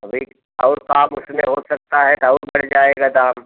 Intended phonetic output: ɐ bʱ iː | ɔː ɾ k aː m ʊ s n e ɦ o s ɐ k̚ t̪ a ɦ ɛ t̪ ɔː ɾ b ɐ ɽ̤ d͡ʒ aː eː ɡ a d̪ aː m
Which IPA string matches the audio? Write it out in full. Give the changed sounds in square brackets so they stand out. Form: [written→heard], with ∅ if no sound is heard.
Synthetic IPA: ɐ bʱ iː | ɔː ɾ k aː m ʊ s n e ɦ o s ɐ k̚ t̪ a ɦ ɛ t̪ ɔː ɾ b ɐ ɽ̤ d͡ʒ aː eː ɡ a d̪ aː m